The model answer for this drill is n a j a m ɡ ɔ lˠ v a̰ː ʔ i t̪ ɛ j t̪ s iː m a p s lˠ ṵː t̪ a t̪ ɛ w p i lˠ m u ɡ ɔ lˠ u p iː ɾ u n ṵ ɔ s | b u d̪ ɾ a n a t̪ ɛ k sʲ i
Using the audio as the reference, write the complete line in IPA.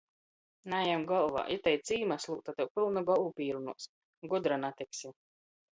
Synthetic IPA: n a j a m ɡ ɔ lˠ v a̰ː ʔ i t̪ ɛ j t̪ s iː m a s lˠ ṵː t̪ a t̪ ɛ w p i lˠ n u ɡ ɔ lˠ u p iː ɾ u n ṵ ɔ s | ɡ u d̪ ɾ a n a t̪ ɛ k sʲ i